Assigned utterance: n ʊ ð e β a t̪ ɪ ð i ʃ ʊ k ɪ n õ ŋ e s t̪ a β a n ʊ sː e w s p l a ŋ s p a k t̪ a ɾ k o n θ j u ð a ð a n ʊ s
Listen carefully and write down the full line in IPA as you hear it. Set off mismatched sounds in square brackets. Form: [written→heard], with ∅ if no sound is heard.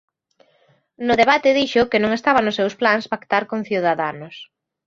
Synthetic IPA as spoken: n ʊ ð e β a t̪ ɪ ð i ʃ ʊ k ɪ n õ ŋ e s t̪ a β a n ʊ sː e w s p l a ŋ s p a k t̪ a ɾ k o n θ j u ð a ð a n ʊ s